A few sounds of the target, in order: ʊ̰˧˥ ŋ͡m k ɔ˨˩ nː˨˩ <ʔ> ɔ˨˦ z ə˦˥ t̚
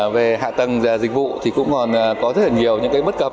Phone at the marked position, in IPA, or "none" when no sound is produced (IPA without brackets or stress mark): k